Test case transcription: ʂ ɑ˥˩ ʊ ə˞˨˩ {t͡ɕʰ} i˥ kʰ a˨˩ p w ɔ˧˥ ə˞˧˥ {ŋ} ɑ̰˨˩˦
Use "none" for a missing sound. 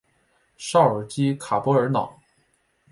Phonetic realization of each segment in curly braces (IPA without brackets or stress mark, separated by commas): t͡ɕ, n